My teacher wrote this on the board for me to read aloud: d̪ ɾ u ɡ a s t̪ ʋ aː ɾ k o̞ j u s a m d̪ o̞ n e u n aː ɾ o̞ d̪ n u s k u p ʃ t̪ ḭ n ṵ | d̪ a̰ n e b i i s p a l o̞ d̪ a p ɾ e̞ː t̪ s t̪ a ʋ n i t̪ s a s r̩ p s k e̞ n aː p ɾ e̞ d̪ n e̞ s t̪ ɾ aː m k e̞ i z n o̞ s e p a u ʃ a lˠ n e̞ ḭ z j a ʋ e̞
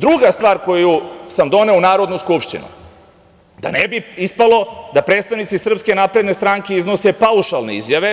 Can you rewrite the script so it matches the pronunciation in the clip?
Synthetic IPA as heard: d̪ ɾ u ɡ a s t̪ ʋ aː ɾ k o̞ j u s a m d̪ o̞ n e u n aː ɾ o̞ d̪ n u s k u p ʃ t̪ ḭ n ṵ | d̪ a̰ n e b i i s p a l o̞ d̪ a p ɾ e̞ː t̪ s t̪ a ʋ n i t̪ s i s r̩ p s k e̞ n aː p ɾ e̞ d̪ n e̞ s t̪ ɾ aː ŋ k e̞ i z n o̞ s e p a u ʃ a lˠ n e̞ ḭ z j a ʋ e̞